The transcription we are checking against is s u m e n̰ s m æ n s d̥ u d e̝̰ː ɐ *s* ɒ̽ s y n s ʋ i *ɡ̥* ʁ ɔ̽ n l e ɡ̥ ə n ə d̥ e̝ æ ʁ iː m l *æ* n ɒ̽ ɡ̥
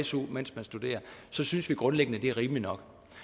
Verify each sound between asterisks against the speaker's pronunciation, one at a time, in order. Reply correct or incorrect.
correct, correct, incorrect: i

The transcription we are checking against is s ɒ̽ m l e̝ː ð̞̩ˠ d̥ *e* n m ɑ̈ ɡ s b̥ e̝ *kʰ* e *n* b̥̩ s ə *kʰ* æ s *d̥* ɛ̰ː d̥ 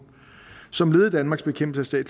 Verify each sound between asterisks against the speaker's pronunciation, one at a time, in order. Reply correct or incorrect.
incorrect: æ, correct, incorrect: m, incorrect: none, correct

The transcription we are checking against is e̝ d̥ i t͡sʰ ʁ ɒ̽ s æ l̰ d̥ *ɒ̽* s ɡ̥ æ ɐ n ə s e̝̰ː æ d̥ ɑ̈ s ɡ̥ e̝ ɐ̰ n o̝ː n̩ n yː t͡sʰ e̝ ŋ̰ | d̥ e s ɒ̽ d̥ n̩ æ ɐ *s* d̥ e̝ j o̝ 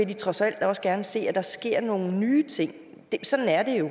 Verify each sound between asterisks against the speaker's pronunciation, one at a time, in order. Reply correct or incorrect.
correct, incorrect: none

